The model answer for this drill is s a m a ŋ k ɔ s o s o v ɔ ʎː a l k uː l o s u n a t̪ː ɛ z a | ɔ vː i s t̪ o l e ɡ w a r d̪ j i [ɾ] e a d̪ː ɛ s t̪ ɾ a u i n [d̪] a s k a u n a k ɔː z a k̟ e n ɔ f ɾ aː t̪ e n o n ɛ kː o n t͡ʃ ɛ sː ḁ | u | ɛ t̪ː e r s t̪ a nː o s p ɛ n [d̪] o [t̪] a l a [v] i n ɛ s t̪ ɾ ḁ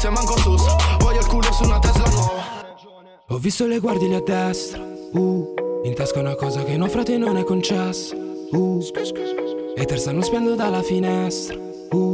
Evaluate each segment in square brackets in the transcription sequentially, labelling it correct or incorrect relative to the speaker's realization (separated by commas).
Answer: incorrect, incorrect, correct, incorrect, incorrect